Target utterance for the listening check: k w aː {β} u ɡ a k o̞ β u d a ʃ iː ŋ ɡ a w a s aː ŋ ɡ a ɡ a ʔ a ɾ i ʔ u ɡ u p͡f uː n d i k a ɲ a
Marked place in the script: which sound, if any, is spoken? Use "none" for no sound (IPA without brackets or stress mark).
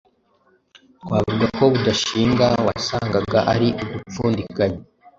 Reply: v